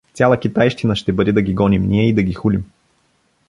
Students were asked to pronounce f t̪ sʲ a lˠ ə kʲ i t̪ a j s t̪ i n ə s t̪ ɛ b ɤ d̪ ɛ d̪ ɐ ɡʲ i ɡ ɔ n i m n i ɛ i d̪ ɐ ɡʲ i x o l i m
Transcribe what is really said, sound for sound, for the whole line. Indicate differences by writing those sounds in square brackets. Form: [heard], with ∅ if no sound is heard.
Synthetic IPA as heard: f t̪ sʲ a lˠ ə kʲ i t̪ a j [ʃ] t̪ i n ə [ʃ] t̪ ɛ b ɤ d̪ ɛ d̪ ɐ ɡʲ i ɡ ɔ n i m n i ɛ i d̪ ɐ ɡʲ i x [u] l i m